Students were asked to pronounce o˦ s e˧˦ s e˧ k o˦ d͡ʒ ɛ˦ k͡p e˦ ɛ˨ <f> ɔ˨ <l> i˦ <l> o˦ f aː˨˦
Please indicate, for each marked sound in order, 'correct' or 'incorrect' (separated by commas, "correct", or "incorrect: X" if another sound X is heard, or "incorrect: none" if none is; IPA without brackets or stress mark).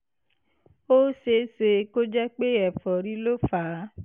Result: correct, incorrect: ɾ, correct